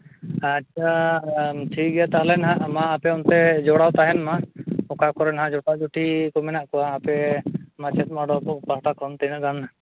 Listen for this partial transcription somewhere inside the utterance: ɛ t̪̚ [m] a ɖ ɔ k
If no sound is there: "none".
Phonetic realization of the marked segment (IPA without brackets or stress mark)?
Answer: m